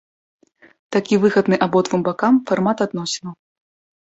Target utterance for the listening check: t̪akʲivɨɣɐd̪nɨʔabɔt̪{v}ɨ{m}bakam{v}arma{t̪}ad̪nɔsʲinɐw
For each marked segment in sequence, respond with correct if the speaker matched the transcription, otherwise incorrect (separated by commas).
correct, correct, incorrect, correct